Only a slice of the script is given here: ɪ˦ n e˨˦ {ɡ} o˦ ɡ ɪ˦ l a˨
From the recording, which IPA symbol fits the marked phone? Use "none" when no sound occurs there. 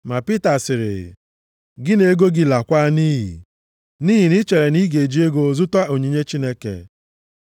ɡ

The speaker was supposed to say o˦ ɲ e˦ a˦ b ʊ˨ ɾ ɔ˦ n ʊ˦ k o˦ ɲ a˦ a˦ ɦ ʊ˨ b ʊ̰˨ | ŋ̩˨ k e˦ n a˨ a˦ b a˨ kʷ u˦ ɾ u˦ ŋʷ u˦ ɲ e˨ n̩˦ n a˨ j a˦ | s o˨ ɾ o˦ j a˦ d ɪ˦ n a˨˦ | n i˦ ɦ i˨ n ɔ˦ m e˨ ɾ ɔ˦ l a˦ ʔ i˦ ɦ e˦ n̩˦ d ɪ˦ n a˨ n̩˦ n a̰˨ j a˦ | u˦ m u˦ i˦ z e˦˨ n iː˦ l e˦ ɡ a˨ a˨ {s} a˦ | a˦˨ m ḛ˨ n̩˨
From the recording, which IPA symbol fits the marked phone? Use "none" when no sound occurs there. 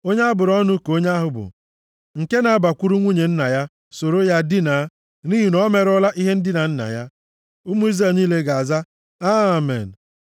z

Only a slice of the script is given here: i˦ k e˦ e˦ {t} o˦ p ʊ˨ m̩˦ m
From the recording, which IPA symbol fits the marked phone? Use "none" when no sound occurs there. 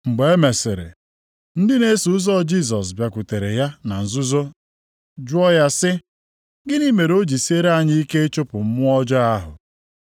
t͡ʃ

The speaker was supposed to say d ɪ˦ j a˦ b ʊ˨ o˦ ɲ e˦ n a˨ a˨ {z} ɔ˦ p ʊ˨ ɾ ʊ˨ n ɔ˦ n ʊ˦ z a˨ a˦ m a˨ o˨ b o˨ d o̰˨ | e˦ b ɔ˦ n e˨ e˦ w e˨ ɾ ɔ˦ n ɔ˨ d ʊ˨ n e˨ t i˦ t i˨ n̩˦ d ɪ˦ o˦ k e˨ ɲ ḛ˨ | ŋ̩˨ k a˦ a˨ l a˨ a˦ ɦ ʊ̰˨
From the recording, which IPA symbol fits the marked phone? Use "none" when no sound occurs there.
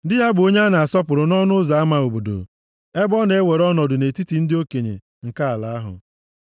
s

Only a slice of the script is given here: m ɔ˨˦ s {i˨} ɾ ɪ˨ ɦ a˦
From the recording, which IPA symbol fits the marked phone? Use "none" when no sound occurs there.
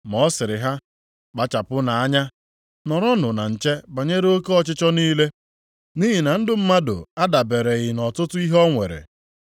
ɪ˨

